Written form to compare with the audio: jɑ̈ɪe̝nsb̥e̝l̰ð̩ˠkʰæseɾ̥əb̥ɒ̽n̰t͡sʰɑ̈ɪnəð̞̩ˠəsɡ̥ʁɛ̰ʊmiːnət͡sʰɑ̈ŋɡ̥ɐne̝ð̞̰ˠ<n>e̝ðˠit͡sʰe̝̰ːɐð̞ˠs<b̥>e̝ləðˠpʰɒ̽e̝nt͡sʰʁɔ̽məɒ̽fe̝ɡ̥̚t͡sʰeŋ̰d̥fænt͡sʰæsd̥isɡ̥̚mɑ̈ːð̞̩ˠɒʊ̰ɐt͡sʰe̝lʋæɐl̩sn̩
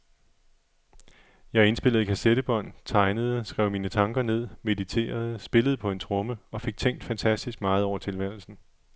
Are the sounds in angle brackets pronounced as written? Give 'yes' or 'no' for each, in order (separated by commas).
no, yes